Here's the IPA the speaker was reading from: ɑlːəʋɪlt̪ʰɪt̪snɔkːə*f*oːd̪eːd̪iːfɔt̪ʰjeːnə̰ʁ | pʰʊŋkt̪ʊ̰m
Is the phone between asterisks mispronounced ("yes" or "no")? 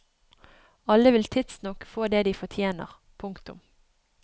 no